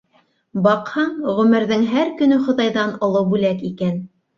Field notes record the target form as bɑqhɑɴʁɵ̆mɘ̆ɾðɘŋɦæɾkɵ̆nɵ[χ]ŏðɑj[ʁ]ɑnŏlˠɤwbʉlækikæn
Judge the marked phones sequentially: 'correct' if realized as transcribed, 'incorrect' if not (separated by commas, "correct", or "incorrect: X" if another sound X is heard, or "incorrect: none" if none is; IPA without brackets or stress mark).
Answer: correct, incorrect: ð